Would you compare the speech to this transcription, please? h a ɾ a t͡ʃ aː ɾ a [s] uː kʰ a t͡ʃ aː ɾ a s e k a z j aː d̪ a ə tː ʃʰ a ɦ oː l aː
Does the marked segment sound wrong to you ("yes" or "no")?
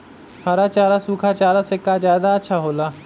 no